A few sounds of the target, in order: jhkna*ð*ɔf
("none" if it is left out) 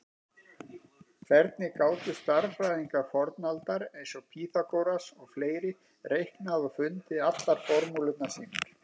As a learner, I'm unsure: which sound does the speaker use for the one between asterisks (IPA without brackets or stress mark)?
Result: ð